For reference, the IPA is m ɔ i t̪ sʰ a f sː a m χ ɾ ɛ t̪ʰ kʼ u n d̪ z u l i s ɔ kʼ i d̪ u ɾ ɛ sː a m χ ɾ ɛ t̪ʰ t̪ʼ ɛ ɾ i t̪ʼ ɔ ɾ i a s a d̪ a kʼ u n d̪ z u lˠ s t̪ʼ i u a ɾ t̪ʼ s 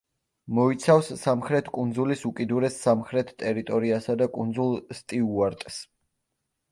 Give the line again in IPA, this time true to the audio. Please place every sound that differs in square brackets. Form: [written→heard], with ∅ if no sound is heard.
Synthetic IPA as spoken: m ɔ i t̪ sʰ a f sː a m χ ɾ ɛ t̪ʰ kʼ u n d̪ z u l i s [ɔ→u] kʼ i d̪ u ɾ ɛ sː a m χ ɾ ɛ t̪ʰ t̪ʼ ɛ ɾ i t̪ʼ ɔ ɾ i a s a d̪ a kʼ u n d̪ z u lˠ s t̪ʼ i u a ɾ t̪ʼ s